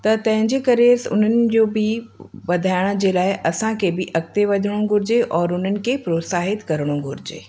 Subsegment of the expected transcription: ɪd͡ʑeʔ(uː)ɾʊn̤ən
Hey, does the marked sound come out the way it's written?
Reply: no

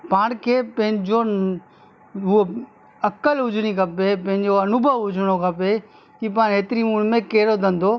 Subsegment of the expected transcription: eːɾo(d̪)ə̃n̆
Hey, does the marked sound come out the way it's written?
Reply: yes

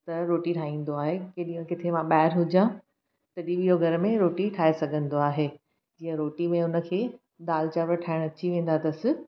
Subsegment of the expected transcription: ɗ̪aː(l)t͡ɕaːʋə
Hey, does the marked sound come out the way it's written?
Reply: yes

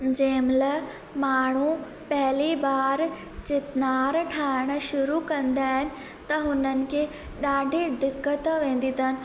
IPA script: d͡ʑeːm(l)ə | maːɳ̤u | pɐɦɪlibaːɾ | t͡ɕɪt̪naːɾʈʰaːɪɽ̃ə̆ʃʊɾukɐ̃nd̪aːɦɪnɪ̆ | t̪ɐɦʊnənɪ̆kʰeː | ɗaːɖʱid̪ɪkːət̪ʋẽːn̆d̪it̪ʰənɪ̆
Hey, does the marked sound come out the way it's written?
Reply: yes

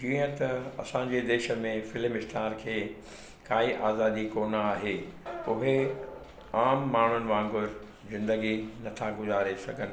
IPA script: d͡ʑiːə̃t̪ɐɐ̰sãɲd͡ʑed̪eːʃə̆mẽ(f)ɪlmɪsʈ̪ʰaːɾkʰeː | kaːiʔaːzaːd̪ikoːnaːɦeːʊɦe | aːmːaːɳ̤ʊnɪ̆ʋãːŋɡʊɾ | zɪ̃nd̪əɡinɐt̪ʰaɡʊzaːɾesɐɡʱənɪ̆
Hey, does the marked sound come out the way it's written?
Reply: yes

